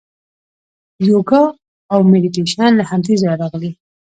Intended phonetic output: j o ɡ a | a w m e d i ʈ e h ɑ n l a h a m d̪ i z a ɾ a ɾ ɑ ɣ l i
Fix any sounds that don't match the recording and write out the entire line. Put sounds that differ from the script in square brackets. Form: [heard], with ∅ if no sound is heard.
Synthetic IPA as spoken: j o ɡ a | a w m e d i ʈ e [ʃ] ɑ n l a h a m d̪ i z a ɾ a ɾ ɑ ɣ l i